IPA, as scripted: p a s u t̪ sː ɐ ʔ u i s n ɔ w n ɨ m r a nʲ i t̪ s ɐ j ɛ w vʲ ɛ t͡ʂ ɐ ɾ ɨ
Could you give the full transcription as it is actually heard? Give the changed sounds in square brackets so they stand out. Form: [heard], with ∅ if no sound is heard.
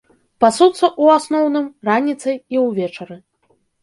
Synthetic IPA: p a s u t̪ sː ɐ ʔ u [a] s n ɔ w n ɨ m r a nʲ i t̪ s ɐ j [i] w vʲ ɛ t͡ʂ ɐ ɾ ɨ